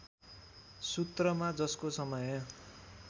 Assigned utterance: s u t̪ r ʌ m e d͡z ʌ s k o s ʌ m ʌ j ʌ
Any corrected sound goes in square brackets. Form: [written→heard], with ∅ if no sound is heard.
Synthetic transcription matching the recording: s u t̪ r ʌ m [e→a] d͡z ʌ s k o s ʌ m ʌ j ʌ